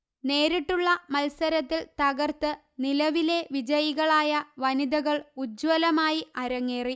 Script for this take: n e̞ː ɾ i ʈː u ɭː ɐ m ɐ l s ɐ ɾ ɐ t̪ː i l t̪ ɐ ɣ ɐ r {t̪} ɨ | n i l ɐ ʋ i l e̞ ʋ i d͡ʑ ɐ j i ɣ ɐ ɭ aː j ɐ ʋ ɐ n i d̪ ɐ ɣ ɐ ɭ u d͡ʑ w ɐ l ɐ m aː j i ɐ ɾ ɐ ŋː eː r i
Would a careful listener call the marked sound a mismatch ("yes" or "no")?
no